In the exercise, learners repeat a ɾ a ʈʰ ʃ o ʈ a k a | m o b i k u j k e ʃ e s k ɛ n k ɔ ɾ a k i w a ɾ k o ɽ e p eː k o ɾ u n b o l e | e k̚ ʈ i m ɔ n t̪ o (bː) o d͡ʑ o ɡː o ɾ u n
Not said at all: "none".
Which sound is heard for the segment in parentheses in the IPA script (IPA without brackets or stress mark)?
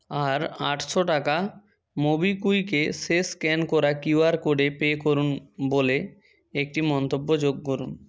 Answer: bː